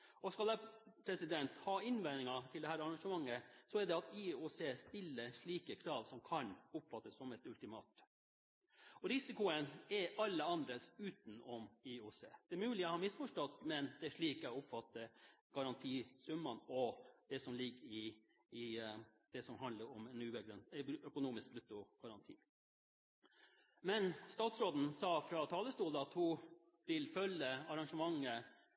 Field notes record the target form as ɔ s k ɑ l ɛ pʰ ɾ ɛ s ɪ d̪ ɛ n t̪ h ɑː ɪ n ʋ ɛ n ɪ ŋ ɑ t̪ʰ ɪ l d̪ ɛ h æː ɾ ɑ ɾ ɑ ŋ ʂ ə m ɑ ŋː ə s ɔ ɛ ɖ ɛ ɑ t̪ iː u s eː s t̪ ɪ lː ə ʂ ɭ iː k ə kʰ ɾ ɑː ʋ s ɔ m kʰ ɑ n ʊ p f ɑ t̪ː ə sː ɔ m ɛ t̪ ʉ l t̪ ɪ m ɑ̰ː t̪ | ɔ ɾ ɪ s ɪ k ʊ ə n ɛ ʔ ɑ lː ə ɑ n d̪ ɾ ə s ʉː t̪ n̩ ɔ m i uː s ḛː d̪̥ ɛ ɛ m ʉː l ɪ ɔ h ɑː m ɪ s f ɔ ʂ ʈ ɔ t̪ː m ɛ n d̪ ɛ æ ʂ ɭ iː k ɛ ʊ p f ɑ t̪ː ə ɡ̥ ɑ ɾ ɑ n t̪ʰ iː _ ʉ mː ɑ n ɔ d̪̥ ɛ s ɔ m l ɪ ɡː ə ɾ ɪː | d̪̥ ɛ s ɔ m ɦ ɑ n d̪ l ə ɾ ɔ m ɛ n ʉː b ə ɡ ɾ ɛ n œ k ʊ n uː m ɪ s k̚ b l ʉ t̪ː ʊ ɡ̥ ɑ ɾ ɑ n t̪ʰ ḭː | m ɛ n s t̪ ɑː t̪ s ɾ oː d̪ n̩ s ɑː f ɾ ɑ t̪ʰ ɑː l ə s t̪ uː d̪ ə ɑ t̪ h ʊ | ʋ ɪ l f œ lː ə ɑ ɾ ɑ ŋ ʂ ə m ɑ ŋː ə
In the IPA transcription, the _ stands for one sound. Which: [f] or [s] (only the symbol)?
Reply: s